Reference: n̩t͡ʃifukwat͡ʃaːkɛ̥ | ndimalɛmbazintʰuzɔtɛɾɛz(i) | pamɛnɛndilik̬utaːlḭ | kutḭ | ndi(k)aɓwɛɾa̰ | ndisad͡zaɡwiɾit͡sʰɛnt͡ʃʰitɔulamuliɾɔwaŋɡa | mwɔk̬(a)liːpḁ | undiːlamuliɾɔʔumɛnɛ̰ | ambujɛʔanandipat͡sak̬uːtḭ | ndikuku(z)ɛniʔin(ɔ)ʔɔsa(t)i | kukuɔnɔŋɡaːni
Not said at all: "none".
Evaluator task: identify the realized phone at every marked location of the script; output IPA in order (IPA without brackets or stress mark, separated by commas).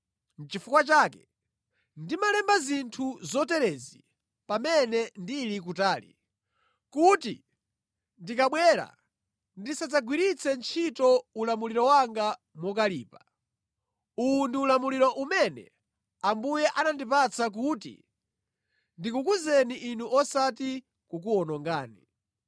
i, k, a, z, u, t